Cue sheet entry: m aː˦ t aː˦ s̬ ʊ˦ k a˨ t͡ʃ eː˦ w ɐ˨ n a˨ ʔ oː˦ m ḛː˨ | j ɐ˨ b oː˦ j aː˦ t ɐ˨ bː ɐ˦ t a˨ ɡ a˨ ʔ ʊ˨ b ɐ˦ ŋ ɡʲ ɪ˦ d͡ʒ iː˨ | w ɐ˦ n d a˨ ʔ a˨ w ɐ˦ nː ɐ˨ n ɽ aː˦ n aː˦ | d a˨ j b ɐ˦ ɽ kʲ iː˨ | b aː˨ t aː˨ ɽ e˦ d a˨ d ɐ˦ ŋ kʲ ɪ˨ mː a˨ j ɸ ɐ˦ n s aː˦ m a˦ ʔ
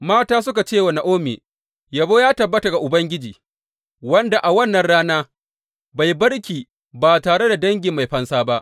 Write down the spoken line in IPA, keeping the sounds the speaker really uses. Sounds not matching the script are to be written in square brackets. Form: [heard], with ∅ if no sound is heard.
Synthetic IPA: m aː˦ t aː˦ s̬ ʊ˦ k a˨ t͡ʃ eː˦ w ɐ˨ n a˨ ʔ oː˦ m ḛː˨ | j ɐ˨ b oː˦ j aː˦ t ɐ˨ bː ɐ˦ t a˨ ɡ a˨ ʔ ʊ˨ b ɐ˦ ŋ ɡʲ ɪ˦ d͡ʒ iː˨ | w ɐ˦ n d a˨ ʔ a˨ w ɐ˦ nː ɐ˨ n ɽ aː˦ n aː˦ | [b] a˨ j b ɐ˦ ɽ kʲ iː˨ | b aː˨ t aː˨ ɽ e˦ d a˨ d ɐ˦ ŋ [ɡʲ] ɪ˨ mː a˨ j ɸ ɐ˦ n s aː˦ [b] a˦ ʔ

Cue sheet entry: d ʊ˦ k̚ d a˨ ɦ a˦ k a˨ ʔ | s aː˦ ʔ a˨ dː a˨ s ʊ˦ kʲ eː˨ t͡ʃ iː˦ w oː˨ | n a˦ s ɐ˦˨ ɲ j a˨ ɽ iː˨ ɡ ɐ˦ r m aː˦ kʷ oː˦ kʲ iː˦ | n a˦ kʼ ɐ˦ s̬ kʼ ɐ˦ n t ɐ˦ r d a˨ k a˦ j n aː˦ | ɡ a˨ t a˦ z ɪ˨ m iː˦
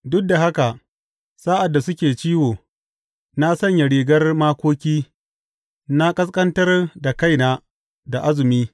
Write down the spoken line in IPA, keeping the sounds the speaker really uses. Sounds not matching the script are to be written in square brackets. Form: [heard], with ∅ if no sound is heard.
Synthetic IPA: d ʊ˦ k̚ d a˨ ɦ a˦ k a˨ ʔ | s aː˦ ʔ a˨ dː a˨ s ʊ˦ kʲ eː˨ t͡ʃ iː˦ w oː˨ | n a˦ s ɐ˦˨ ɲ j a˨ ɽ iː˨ ɡ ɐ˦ r m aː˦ kʷ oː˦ kʲ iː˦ | n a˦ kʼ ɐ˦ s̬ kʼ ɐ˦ n t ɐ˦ r d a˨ k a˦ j n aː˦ | [d] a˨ [ʔ] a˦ z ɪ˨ m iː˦

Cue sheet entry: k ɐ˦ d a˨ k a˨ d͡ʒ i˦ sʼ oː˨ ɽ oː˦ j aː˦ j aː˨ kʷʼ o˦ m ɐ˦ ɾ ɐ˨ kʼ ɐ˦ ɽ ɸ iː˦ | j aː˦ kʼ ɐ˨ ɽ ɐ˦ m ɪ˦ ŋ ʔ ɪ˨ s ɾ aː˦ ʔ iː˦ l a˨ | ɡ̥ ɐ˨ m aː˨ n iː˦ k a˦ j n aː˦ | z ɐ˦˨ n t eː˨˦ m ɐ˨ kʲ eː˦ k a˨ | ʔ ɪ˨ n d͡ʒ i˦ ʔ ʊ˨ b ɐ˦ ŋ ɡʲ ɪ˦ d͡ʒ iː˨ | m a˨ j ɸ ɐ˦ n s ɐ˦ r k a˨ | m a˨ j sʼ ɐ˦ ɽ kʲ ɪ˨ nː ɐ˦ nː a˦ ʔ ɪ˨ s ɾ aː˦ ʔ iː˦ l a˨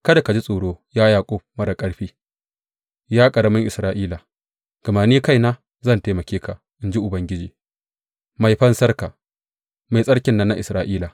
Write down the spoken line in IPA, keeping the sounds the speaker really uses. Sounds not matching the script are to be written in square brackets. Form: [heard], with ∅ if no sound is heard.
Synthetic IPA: k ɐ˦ d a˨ k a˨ d͡ʒ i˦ sʼ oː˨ ɽ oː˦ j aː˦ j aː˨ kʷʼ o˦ m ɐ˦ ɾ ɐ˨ kʼ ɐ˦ ɽ ɸ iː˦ | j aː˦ kʼ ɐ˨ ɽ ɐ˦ m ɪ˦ ŋ ʔ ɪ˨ s ɾ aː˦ ʔ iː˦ l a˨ | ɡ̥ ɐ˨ m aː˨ n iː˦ k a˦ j n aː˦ | z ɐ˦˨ n t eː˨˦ m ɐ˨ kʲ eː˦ k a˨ | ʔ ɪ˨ n d͡ʒ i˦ ʔ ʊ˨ b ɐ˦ ŋ ɡʲ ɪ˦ d͡ʒ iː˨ | m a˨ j ɸ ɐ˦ n s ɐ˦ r k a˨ | m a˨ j sʼ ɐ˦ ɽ kʲ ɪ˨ nː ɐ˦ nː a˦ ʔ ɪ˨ s ɾ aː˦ ʔ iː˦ l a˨

